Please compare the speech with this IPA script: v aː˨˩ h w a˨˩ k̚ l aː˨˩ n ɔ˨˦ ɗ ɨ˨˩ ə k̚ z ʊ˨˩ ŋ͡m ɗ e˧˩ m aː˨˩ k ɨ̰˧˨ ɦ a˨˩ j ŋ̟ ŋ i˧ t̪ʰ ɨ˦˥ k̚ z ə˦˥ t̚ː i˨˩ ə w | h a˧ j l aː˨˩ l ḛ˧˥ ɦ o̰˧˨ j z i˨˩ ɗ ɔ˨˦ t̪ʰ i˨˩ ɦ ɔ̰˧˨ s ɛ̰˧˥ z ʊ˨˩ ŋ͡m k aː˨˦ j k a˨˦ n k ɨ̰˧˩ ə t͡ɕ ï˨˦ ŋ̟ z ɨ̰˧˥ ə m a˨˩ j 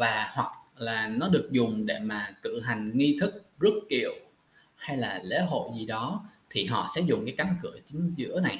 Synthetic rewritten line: v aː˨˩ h w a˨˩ k̚ l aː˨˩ n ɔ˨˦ ɗ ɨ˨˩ ə k̚ z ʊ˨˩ ŋ͡m ɗ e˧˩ m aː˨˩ k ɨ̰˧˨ ɦ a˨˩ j ŋ̟ ŋ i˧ t̪ʰ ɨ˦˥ k̚ z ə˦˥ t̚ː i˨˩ ə w | h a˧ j l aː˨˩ l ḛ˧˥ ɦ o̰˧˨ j z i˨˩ ɗ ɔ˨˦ t̪ʰ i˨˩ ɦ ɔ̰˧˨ s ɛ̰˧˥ z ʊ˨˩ ŋ͡m k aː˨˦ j k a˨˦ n k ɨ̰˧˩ ə t͡ɕ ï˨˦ ŋ̟ z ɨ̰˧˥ ə n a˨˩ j